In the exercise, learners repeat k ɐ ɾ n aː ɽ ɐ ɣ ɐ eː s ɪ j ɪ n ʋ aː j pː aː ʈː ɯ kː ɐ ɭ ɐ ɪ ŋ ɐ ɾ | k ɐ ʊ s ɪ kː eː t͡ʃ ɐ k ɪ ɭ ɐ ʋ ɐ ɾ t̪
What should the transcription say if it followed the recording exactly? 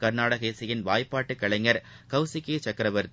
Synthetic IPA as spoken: k ɐ ɾ n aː ɽ ɐ ɣ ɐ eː s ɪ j ɪ n ʋ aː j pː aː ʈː ɯ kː ɐ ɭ ɐ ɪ ŋ ɐ ɾ | k ɐ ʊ s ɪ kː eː t͡ʃ ɐ k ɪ ɾ ɐ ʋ ɐ ɾ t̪